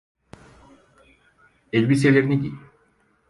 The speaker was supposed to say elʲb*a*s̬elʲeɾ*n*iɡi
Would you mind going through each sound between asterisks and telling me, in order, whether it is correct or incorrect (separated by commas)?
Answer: incorrect, correct